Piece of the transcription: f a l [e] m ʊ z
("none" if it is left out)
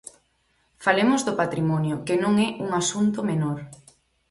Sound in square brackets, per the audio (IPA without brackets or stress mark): e